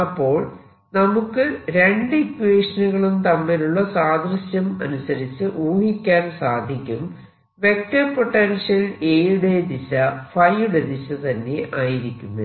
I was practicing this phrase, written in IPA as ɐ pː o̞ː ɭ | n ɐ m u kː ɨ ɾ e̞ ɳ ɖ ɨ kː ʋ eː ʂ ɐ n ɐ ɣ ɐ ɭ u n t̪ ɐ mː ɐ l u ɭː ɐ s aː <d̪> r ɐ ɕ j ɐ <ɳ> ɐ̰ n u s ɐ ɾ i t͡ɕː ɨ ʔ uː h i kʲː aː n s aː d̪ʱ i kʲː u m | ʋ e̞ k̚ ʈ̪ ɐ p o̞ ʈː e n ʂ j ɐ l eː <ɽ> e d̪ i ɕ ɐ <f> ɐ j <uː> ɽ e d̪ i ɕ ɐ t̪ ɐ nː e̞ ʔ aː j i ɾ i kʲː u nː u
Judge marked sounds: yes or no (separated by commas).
yes, no, yes, yes, no